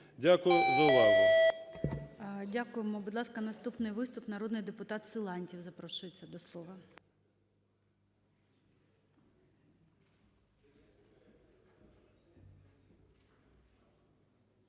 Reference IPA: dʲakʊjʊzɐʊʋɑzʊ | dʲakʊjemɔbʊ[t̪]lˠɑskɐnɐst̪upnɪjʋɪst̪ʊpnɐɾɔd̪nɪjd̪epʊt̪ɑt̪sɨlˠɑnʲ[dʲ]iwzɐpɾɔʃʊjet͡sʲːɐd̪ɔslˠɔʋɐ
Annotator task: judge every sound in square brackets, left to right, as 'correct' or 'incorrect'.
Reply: incorrect: d̪, incorrect: tʲ

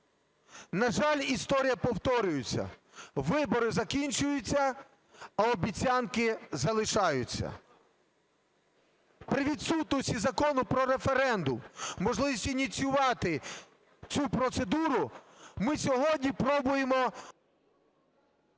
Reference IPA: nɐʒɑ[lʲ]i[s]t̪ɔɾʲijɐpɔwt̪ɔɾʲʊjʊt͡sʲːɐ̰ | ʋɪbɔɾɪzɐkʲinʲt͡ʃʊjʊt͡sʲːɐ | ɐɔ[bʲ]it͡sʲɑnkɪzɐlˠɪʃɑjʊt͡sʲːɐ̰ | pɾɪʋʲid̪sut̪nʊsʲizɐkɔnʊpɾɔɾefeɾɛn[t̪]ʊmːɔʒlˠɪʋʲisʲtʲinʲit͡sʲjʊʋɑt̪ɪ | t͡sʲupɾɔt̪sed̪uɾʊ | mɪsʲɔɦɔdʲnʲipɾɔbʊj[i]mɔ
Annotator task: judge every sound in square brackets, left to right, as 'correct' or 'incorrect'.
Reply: correct, correct, correct, incorrect: d̪, incorrect: e

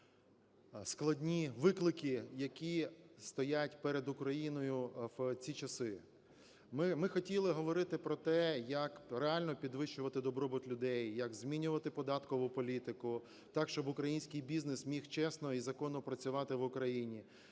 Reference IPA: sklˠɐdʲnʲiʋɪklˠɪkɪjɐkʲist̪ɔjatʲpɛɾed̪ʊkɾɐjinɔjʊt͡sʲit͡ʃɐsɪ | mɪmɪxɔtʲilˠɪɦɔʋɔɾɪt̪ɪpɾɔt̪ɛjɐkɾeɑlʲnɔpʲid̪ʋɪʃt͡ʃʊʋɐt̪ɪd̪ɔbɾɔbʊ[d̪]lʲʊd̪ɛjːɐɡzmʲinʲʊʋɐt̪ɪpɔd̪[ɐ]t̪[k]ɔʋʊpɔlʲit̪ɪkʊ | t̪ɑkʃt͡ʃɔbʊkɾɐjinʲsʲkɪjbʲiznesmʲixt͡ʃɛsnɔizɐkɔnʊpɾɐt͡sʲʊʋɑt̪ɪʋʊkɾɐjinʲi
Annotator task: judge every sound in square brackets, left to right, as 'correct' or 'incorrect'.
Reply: incorrect: t̪, incorrect: ɑ, correct

